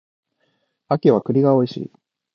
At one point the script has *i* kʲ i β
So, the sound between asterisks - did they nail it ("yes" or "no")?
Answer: no